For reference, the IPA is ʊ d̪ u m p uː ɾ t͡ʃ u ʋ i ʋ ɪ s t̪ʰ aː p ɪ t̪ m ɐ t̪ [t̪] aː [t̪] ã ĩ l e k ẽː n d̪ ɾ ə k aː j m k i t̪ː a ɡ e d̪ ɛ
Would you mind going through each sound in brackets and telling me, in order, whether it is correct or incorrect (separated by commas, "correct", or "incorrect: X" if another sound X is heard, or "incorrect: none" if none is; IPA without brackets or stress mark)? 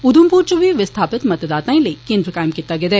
incorrect: d̪, correct